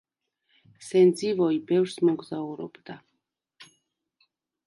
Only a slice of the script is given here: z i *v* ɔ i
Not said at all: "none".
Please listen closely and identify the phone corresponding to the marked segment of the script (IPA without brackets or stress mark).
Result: v